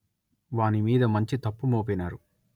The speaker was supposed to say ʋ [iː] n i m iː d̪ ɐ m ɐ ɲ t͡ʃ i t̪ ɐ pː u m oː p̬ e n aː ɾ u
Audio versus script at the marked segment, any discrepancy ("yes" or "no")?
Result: yes